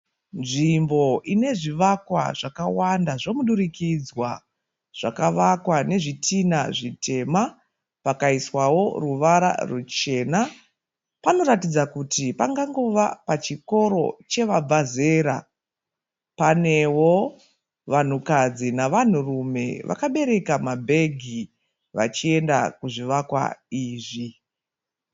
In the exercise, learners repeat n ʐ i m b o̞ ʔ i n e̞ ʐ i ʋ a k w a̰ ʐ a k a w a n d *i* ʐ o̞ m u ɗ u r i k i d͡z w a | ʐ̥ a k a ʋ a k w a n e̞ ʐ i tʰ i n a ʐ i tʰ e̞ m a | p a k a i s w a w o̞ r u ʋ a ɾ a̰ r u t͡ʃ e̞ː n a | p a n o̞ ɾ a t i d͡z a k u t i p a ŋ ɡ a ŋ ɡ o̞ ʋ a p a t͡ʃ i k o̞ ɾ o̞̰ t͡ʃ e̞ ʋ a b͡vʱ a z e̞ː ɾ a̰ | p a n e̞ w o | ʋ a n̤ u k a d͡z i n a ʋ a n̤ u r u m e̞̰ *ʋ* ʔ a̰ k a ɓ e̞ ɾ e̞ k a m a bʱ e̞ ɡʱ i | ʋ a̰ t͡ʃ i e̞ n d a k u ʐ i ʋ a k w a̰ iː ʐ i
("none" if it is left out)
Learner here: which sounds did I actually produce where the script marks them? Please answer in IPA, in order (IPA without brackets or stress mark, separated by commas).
a, ʋ